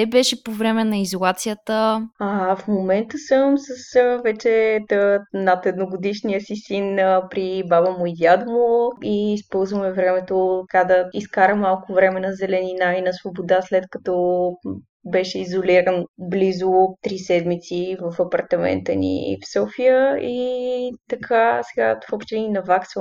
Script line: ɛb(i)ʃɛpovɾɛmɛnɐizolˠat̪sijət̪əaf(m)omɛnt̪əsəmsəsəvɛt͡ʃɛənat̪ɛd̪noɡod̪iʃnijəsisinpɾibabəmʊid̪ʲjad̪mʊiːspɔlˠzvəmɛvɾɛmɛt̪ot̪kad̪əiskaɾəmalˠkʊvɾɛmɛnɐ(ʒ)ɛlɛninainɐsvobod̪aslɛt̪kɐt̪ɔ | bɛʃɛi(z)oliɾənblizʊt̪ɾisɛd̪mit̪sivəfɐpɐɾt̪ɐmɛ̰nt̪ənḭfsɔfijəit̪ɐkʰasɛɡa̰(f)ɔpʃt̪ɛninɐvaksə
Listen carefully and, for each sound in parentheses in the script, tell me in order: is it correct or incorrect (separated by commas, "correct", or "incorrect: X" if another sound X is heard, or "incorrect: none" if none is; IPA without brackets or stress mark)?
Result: incorrect: ɛ, correct, incorrect: z, correct, correct